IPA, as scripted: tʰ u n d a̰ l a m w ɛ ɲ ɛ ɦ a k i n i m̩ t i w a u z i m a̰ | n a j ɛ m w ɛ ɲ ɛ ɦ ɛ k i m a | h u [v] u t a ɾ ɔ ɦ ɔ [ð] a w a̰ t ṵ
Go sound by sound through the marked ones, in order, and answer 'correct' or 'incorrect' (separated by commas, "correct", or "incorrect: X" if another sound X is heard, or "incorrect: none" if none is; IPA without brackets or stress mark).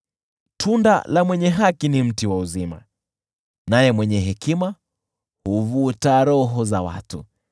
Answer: correct, incorrect: z